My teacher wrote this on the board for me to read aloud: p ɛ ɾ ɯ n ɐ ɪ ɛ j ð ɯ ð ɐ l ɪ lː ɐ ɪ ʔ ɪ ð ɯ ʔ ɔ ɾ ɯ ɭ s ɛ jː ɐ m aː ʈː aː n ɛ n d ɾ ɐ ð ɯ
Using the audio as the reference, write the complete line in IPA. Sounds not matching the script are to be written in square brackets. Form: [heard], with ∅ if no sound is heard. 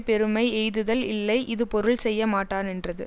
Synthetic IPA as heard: p ɛ ɾ ɯ [m] ɐ ɪ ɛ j ð ɯ ð ɐ l ɪ lː ɐ ɪ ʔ ɪ ð ɯ [p] ɔ ɾ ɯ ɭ s ɛ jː ɐ m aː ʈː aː n ɛ n d [r] ɐ ð ɯ

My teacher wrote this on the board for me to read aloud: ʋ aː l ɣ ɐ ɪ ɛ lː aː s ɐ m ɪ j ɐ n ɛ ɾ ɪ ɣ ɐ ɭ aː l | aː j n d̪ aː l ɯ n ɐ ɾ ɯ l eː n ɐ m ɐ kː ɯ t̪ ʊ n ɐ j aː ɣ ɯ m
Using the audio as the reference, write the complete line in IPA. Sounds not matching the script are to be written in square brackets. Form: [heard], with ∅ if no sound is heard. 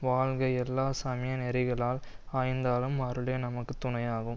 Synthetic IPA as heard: ʋ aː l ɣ ɐ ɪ ɛ lː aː s ɐ m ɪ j ɐ n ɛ ɾ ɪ ɣ ɐ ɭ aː l | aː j n d̪ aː l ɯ [m] ɐ ɾ ɯ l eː n ɐ m ɐ kː ɯ t̪ ʊ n ɐ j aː ɣ ɯ m

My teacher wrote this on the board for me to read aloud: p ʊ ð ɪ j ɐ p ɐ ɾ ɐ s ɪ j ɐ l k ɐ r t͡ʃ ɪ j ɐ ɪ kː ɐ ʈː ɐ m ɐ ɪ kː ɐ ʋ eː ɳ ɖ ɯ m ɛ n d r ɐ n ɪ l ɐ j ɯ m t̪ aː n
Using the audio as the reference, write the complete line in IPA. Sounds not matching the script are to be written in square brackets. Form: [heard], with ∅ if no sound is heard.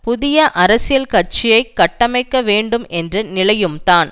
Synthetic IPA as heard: p ʊ ð ɪ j ɐ [ʔ] ɐ ɾ ɐ s ɪ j ɐ l k ɐ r t͡ʃ ɪ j ɐ ɪ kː ɐ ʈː ɐ m ɐ ɪ kː ɐ ʋ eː ɳ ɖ ɯ m ɛ n d r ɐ n ɪ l ɐ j ɯ m t̪ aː n

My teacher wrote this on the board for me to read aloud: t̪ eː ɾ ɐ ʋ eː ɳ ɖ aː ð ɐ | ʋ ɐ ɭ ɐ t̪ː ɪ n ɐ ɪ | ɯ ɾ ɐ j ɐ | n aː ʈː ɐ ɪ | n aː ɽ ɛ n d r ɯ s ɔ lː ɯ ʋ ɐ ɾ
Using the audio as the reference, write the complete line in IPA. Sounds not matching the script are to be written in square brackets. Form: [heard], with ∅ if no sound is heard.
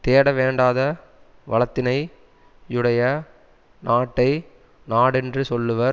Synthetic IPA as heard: t̪ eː [ɽ] ɐ ʋ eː ɳ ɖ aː ð ɐ | ʋ ɐ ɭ ɐ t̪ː ɪ n ɐ ɪ | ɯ [ɽ] ɐ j ɐ | n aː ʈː ɐ ɪ | n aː ɽ ɛ n d r ɯ s ɔ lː ɯ ʋ ɐ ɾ

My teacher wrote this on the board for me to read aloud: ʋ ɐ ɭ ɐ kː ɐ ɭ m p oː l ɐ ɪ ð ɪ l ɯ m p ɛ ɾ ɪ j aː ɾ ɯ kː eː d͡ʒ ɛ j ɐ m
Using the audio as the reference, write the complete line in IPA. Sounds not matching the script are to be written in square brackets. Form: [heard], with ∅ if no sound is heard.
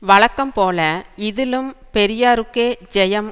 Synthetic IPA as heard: ʋ ɐ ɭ ɐ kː ɐ [∅] m p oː l ɐ ɪ ð ɪ l ɯ m p ɛ ɾ ɪ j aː ɾ ɯ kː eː d͡ʒ ɛ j ɐ m

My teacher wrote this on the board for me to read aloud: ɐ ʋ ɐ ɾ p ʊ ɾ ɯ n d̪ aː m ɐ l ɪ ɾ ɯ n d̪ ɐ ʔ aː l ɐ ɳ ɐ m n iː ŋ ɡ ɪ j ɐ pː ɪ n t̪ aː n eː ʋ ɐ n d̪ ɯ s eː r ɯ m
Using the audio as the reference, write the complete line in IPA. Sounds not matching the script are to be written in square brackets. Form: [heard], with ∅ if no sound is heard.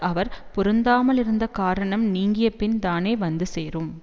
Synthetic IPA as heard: ɐ ʋ ɐ ɾ p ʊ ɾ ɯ n d̪ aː m ɐ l ɪ ɾ ɯ n d̪ ɐ [k] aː [ɾ] ɐ ɳ ɐ m n iː ŋ ɡ ɪ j ɐ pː ɪ n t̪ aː n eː ʋ ɐ n d̪ ɯ s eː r ɯ m

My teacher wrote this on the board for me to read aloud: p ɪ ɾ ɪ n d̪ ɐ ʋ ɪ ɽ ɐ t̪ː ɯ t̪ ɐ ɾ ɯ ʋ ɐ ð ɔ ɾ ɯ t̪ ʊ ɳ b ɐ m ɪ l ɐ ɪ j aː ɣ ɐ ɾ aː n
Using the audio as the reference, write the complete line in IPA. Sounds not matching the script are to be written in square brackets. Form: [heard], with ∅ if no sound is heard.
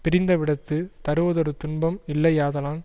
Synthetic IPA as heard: p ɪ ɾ ɪ n d̪ ɐ ʋ ɪ ɽ ɐ t̪ː ɯ t̪ ɐ ɾ ɯ ʋ ɐ ð ɔ ɾ ɯ t̪ ʊ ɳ b ɐ m ɪ [lː] ɐ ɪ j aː [ð] ɐ [l] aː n

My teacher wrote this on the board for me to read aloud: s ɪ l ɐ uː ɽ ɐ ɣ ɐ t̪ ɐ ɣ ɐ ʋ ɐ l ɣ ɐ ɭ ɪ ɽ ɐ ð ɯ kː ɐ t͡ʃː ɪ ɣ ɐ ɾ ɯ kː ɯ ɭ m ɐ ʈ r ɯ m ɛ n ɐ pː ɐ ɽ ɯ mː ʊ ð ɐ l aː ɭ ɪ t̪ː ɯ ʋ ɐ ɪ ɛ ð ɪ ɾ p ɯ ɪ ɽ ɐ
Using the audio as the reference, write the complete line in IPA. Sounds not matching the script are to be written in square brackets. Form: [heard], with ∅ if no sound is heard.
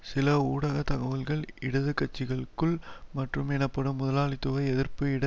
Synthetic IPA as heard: s ɪ l ɐ uː ɽ ɐ ɣ ɐ t̪ ɐ ɣ ɐ ʋ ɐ l ɣ ɐ ɭ ɪ ɽ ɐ ð ɯ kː ɐ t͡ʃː ɪ ɣ ɐ [ɭ] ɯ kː ɯ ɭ m ɐ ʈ r ɯ m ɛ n ɐ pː ɐ ɽ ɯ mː ʊ ð ɐ l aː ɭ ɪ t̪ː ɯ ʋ ɐ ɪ ɛ ð ɪ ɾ p ɯ ɪ ɽ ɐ

